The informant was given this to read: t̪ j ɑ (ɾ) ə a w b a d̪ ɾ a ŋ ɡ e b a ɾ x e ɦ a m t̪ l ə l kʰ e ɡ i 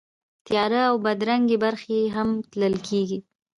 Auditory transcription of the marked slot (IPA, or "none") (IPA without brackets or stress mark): ɾ